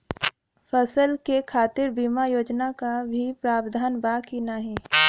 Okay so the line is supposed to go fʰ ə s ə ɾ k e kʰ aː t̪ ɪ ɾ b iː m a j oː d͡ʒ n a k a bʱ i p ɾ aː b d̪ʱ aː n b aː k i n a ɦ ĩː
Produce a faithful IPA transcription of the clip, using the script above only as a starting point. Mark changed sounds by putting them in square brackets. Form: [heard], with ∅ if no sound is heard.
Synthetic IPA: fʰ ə s ə [l] k e kʰ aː t̪ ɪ ɾ b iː m a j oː d͡ʒ n a k a bʱ i p ɾ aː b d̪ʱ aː n b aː k i n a ɦ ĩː

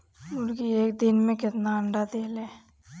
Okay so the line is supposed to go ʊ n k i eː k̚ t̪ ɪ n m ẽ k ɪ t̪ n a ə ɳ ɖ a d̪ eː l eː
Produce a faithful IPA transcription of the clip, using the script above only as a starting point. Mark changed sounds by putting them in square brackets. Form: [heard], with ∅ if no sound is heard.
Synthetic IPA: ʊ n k i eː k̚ [d̪] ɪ n m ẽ k ɪ t̪ n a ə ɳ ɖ a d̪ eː l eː

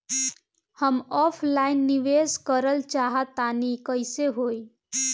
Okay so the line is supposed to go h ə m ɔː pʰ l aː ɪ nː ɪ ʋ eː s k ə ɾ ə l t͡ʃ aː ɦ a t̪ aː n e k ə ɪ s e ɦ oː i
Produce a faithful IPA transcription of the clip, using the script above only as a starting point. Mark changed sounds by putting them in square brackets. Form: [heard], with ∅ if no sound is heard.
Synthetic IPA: h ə m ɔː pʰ l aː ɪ nː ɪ ʋ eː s k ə ɾ ə l t͡ʃ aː ɦ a t̪ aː n [i] k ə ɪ s e ɦ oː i

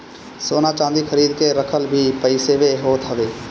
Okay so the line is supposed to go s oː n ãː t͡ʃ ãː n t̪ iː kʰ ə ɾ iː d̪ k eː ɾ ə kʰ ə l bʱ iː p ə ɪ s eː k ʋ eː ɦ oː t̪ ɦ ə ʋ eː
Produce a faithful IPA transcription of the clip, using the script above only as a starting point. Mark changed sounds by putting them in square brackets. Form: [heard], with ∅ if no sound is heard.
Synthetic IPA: s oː n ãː t͡ʃ ãː n [d̪] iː kʰ ə ɾ iː d̪ k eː ɾ ə kʰ ə l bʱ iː p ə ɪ s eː [∅] ʋ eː ɦ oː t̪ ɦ ə ʋ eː

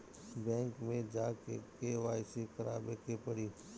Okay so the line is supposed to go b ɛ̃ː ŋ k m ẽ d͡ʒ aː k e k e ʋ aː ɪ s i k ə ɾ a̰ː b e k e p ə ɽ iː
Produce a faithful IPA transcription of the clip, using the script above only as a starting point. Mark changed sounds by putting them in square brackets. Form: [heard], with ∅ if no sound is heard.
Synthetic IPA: b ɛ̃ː ŋ k m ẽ d͡ʒ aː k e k e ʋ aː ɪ s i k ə ɾ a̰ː b e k e p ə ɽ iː

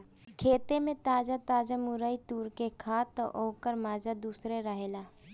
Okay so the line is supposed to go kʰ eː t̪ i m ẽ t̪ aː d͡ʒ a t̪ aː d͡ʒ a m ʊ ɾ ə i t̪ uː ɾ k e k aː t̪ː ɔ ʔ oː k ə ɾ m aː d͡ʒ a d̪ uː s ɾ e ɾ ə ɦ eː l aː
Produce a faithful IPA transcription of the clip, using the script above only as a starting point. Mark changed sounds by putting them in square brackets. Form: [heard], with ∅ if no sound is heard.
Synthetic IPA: kʰ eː t̪ [e] m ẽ t̪ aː d͡ʒ a t̪ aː d͡ʒ a m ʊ ɾ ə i t̪ uː ɾ k e [kʰ] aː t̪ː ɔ ʔ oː k ə ɾ m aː d͡ʒ a d̪ uː s ɾ e ɾ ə ɦ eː l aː

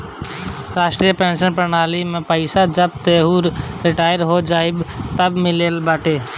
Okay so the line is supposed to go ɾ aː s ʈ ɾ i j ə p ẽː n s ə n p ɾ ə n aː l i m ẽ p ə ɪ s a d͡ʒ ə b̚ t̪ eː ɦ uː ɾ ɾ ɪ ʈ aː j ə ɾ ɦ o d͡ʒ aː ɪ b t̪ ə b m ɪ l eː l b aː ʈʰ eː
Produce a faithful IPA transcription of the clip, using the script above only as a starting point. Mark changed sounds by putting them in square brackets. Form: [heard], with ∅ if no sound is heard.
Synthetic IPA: ɾ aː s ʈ ɾ i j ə p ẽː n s ə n p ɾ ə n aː l i m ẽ p ə ɪ s a d͡ʒ ə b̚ t̪ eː ɦ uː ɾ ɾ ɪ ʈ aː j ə ɾ ɦ o d͡ʒ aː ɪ b t̪ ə b m ɪ l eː l b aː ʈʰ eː

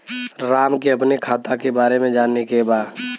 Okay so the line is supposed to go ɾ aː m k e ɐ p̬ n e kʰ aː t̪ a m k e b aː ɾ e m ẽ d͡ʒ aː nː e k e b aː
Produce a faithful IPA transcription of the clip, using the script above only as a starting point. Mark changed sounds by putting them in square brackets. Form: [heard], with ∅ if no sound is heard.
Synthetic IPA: ɾ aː m k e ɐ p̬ n e kʰ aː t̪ a [∅] k e b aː ɾ e m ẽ d͡ʒ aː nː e k e b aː

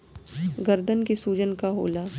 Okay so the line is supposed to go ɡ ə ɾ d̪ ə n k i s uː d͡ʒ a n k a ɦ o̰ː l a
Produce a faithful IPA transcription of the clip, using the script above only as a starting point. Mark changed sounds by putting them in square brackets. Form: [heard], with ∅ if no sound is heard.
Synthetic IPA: ɡ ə ɾ d̪ ə n k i s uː d͡ʒ [ə] n k a ɦ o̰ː l a

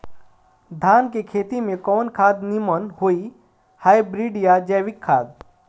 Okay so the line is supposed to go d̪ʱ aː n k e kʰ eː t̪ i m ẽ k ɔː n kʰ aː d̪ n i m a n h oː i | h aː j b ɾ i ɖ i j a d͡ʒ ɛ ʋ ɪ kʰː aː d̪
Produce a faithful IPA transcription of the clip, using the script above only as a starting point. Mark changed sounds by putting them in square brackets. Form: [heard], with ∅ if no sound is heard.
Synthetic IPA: d̪ʱ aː n k e kʰ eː t̪ i m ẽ k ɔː n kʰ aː d̪ n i m [ə] n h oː i | h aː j b ɾ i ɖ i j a d͡ʒ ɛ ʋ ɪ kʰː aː d̪

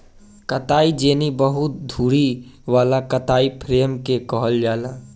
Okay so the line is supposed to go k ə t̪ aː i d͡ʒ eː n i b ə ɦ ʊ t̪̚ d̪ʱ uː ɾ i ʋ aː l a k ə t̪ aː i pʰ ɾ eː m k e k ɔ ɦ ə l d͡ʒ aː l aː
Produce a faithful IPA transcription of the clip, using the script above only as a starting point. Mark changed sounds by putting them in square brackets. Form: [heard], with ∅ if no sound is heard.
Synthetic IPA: k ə t̪ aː i d͡ʒ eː n i b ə ɦ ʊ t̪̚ d̪ʱ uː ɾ i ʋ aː l a k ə t̪ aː i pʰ ɾ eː m k e k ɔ ɦ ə l d͡ʒ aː l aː

